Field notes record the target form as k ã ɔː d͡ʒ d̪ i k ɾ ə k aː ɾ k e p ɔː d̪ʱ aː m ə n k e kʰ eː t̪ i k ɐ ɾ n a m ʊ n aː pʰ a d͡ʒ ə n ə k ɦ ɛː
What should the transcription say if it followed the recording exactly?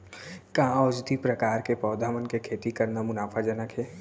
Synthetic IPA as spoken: k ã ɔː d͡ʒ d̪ i p ɾ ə k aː ɾ k e p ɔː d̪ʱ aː m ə n k e kʰ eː t̪ i k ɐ ɾ n a m ʊ n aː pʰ a d͡ʒ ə n ə k ɦ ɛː